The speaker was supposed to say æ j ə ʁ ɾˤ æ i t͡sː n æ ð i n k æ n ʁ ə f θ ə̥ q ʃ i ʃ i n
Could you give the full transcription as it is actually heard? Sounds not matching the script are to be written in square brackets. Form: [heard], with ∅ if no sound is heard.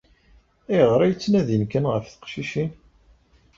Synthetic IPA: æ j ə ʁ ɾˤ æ [j] t͡sː n æ ð i n k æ n ʁ ə f θ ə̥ q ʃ i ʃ i n